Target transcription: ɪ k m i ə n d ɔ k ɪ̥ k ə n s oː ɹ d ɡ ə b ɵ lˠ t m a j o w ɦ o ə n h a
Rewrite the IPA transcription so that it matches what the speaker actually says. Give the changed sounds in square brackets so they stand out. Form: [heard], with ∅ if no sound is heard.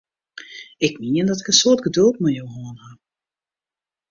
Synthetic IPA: ɪ k m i ə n d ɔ [t] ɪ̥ k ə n s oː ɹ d ɡ ə [d] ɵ lˠ t m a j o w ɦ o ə n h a